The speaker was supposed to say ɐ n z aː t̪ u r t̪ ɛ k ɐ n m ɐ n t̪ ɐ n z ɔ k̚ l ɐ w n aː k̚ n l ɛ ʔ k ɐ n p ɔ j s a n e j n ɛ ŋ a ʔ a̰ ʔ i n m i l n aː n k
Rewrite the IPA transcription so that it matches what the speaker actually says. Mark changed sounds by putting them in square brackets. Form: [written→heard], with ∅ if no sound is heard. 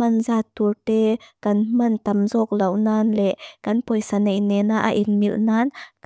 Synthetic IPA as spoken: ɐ n z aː t̪ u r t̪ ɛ k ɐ n m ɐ n t̪ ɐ [n→m] z ɔ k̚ l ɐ w n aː [k̚→∅] n l ɛ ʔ k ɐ n p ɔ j s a n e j n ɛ [ŋ→n] a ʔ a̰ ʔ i n m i l n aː n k